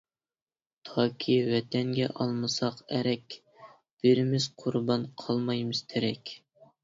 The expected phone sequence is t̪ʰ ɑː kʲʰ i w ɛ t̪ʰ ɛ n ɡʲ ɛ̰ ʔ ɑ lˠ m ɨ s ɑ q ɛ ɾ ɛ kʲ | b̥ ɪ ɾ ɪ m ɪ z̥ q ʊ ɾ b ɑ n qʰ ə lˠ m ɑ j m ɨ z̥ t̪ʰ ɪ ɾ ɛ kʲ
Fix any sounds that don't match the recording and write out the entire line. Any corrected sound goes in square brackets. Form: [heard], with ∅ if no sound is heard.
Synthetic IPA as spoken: t̪ʰ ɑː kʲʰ i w ɛ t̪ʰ ɛ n ɡʲ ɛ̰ ʔ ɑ lˠ m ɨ s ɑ q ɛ ɾ ɛ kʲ | b̥ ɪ ɾ ɪ m ɪ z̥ [qʰ] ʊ ɾ b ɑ n qʰ [ɑ] lˠ m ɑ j m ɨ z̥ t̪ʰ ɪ ɾ ɛ kʲ